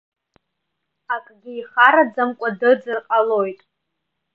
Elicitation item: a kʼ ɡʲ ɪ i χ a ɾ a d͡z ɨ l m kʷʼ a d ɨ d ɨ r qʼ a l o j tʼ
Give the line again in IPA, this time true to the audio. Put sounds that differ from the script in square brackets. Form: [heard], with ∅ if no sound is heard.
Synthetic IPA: a kʼ ɡʲ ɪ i χ a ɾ a d͡z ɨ [∅] m kʷʼ a d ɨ [d͡z] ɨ r qʼ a l o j tʼ

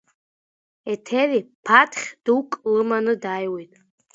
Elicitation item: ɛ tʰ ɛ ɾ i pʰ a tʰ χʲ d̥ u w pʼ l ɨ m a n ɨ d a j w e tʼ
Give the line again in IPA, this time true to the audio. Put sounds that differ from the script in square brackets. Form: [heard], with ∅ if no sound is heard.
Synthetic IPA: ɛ tʰ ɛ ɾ i pʰ a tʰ χʲ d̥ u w [kʼ] l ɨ m a n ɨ d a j w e tʼ

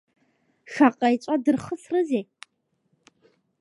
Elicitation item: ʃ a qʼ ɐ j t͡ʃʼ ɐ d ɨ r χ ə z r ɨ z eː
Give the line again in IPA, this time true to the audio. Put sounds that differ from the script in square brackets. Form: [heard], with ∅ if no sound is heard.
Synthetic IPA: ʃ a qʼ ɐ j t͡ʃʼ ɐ d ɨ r χ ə [s] r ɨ z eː

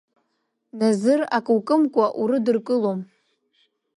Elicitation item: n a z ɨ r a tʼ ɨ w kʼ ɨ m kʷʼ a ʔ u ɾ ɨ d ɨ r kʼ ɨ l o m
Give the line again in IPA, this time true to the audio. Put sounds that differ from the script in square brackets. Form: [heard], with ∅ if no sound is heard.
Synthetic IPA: n a z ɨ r a [kʼ] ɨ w kʼ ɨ m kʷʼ a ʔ u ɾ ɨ d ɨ r kʼ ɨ l o m

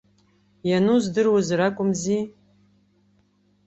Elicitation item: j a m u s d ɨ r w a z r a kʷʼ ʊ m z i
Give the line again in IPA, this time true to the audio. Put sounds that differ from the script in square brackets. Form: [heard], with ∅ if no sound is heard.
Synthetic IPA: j a [n] u [z] d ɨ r w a z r a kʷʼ ʊ m z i

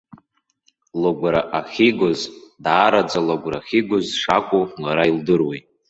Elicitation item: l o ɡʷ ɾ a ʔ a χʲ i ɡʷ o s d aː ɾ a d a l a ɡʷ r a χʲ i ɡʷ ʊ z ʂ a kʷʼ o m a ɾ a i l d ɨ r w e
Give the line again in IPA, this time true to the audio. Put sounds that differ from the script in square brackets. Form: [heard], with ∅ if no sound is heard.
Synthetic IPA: l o ɡʷ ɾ a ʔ a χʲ i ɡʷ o [z] d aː ɾ a [d͡z] a l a ɡʷ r a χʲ i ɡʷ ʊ z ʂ a kʷʼ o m a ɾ a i l d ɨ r w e

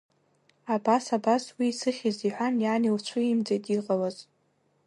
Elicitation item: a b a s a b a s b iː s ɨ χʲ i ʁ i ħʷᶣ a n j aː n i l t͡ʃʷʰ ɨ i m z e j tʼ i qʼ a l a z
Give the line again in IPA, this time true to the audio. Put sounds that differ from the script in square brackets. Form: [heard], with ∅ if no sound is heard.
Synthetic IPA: a b a s a b a s [w] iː s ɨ χʲ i [z] i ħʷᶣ a n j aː n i l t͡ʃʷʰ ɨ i m [d͡z] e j tʼ i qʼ a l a z

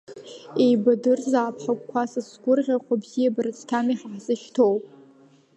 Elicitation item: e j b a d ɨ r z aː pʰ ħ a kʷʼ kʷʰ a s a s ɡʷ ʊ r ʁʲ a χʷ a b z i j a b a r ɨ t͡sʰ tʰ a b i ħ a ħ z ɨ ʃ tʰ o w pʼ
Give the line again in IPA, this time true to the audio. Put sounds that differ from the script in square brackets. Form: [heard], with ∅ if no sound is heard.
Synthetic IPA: e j b a d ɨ r z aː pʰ ħ a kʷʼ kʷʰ a s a s ɡʷ ʊ r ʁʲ a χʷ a b z i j a b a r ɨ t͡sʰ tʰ a [m] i ħ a ħ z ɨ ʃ tʰ o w pʼ

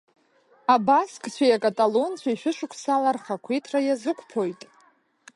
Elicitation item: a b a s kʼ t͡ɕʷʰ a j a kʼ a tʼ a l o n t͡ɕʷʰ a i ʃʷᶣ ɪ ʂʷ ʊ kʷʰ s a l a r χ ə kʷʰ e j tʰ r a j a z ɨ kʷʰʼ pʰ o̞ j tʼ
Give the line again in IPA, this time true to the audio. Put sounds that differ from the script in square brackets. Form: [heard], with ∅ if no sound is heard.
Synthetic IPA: a b a s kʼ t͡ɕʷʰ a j a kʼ a tʼ a l o n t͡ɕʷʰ a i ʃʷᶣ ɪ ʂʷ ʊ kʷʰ s a l a r χ [a] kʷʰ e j tʰ r a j a z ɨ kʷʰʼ pʰ o̞ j tʼ

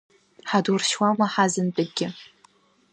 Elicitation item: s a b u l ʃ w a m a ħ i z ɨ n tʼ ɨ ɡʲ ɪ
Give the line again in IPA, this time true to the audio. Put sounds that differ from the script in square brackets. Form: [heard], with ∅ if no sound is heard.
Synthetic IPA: [ħ] a [d] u [r] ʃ w a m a ħ [a] z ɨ n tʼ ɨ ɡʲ ɪ

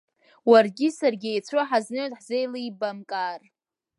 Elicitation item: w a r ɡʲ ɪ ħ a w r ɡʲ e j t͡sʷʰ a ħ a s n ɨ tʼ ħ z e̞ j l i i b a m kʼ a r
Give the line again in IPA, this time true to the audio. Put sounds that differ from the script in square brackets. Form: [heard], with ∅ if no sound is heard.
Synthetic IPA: w a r ɡʲ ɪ [s] a [∅] r ɡʲ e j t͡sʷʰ a ħ a [z] n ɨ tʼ ħ z e̞ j l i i b a m kʼ a r

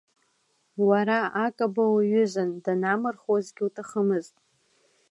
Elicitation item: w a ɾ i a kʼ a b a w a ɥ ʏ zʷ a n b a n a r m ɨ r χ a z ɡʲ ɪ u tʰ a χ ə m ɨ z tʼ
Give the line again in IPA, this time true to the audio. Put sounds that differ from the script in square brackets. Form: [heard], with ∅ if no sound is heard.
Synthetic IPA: w a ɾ [a] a kʼ a b a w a ɥ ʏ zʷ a n [d] a n a [∅] m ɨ r χ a z ɡʲ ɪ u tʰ a χ ə m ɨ z tʼ

